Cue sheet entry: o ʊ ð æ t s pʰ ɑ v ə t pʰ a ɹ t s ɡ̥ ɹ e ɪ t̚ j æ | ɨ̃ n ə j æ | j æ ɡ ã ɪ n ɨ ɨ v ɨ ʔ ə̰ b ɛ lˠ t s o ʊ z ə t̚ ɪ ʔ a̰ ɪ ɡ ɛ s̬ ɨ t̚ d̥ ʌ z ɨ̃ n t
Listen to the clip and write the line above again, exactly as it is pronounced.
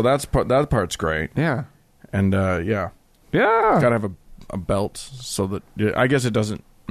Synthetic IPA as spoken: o ʊ ð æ t s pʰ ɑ ð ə t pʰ ɑ ɹ t s ɡ̥ ɹ e ɪ t̚ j æ | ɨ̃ n ʌ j æ | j æ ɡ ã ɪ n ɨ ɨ v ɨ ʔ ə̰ b ɛ lˠ t s o ʊ ð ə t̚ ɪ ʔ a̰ ɪ ɡ ɛ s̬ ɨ t̚ d̥ ʌ z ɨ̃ n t